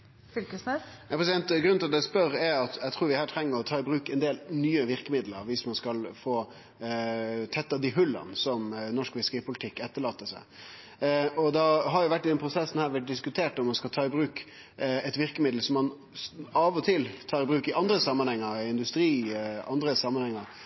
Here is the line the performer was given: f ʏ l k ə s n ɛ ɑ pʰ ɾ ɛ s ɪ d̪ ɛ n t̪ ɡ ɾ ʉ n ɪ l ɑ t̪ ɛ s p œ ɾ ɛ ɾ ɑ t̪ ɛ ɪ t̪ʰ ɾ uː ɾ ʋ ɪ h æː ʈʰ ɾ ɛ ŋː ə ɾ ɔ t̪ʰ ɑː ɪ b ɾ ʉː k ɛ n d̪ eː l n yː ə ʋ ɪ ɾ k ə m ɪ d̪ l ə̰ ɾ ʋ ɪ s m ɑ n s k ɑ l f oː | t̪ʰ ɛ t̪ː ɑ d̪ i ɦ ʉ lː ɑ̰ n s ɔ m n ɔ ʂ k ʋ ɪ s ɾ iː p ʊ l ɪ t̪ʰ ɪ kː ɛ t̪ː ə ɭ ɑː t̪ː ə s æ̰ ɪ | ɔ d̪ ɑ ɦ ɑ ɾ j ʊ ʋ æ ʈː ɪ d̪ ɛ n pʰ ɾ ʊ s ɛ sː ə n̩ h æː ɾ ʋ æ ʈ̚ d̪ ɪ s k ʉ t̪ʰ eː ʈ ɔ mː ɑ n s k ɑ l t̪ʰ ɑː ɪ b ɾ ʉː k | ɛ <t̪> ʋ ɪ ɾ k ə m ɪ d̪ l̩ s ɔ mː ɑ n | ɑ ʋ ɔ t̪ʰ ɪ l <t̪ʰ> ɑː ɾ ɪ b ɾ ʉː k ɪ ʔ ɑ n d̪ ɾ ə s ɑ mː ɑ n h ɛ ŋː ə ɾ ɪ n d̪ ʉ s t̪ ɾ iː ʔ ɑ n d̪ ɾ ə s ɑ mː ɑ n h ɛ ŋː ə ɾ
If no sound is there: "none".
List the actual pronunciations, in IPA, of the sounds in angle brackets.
t̪, t̪ʰ

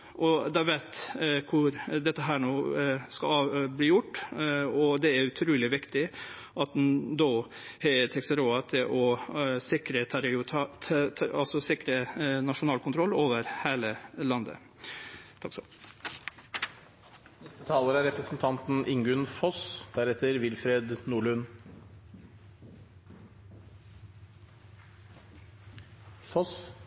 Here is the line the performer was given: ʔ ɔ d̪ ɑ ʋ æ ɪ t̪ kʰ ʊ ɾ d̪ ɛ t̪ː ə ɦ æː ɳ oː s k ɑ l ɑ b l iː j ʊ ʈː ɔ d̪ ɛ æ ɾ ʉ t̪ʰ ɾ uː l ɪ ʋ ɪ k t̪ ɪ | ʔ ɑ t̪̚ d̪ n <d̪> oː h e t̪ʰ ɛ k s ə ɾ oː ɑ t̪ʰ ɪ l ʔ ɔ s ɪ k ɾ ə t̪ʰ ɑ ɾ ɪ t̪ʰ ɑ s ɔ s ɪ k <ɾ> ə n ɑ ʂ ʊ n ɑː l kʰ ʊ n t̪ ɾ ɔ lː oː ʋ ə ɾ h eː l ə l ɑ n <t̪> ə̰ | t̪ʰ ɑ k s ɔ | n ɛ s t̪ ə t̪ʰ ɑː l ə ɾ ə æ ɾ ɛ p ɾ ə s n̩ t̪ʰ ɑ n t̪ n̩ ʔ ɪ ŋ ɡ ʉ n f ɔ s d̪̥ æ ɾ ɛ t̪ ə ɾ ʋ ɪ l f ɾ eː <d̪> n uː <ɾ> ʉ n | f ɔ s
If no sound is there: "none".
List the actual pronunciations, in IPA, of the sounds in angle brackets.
d̪, ɾ, d̪, d̪, ɭ

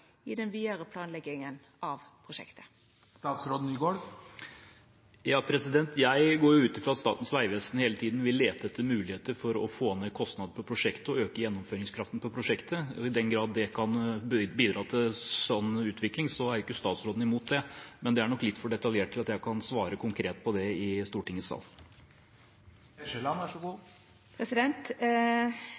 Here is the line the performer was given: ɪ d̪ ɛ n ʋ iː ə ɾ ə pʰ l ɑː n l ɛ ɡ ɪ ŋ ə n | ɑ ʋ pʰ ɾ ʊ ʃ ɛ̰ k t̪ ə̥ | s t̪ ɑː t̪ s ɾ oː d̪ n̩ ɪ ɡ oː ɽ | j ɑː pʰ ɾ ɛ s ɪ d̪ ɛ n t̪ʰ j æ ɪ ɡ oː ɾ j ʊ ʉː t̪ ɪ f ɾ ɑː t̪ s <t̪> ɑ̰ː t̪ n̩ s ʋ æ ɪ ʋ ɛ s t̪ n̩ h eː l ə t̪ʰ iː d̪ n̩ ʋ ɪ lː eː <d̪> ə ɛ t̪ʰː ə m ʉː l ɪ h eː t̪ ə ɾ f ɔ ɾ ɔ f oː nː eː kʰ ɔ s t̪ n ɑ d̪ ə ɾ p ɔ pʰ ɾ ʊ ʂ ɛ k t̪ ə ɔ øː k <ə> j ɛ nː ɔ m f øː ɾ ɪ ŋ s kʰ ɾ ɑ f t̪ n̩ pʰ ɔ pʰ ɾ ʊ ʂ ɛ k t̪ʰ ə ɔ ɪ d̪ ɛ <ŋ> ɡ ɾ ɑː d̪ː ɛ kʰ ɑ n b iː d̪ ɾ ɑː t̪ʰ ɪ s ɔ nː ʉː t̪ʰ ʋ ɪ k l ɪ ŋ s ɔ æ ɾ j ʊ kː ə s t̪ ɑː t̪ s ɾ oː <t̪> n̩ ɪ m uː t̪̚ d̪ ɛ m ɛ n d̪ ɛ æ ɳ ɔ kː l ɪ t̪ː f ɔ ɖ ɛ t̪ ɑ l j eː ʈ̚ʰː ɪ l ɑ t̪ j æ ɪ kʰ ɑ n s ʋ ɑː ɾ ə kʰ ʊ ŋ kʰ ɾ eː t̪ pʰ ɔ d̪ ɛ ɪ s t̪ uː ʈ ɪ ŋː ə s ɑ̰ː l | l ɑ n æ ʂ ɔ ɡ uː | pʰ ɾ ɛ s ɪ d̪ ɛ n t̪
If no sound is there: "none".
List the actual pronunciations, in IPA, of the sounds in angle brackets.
t̪, t̪, ə, n, d̪

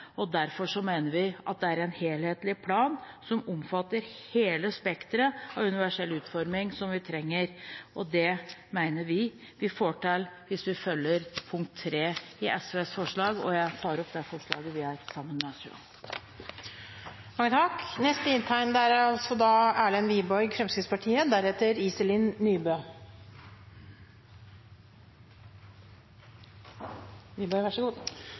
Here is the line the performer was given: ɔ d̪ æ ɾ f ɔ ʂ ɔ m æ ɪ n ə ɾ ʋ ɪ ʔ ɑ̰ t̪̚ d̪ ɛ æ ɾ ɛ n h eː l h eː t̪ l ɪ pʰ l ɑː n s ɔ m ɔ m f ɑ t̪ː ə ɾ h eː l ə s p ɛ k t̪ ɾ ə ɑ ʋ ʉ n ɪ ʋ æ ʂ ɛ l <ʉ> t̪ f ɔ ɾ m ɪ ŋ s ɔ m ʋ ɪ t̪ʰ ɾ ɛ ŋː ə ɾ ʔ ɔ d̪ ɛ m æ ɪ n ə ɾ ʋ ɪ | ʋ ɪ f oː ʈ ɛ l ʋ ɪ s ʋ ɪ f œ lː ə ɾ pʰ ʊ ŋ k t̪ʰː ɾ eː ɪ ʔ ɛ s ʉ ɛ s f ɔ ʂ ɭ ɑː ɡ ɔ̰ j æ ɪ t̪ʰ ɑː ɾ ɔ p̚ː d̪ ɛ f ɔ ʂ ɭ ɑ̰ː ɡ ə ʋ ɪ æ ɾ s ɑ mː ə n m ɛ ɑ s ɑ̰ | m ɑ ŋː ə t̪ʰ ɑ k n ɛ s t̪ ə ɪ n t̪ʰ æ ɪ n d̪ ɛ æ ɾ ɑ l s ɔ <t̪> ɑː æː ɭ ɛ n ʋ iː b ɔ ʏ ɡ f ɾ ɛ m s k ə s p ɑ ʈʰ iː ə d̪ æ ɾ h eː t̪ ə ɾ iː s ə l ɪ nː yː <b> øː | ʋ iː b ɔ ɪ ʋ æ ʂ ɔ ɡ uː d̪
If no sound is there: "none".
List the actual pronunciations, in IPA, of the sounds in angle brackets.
ʉː, d̪, b

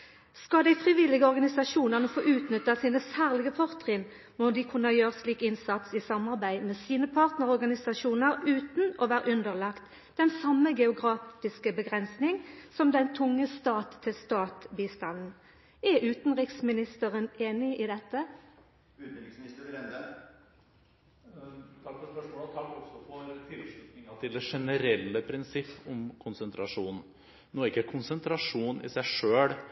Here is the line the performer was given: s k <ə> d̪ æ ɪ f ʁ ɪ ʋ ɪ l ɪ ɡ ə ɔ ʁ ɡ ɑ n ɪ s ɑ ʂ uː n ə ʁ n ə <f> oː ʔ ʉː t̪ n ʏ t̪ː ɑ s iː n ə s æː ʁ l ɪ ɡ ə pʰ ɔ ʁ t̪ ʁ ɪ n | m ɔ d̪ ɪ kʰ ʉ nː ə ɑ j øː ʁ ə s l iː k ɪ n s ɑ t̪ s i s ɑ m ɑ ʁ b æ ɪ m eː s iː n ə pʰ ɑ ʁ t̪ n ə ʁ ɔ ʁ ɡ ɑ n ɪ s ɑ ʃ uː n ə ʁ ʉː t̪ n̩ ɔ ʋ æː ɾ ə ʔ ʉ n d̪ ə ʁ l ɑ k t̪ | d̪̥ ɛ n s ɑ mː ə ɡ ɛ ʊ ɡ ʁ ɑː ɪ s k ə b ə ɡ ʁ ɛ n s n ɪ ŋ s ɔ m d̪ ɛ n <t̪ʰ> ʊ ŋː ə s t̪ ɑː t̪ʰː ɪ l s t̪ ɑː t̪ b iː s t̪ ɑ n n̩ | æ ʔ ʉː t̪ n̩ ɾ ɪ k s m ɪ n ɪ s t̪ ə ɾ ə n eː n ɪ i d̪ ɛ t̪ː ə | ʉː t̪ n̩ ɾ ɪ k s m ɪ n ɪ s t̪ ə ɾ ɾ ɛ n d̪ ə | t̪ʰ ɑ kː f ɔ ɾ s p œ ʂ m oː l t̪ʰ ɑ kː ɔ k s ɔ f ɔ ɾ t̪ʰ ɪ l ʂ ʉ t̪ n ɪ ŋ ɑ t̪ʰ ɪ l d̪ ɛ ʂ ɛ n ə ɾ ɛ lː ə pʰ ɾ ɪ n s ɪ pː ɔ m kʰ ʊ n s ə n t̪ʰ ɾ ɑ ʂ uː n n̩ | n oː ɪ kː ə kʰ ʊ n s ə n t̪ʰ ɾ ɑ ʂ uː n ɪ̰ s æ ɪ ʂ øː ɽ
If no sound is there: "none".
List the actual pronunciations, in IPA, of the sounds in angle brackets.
ɑ, f, t̪ʰ

